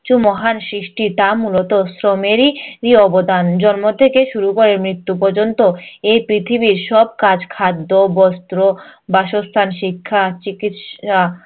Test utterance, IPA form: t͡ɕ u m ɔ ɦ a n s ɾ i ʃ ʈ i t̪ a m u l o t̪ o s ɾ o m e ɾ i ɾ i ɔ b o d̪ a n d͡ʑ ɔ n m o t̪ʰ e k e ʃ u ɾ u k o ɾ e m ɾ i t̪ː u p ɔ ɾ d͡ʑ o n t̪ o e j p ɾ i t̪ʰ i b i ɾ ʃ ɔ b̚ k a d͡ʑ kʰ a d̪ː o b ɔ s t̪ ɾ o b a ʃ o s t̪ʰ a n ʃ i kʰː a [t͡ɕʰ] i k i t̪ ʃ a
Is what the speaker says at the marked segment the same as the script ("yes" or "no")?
no